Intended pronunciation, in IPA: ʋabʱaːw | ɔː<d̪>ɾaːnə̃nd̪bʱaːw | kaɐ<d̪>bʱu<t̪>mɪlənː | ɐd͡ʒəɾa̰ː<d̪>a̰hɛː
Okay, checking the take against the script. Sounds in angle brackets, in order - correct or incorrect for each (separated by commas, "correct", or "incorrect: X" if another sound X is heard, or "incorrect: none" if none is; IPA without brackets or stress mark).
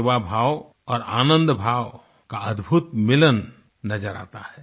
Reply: incorrect: none, correct, correct, incorrect: t̪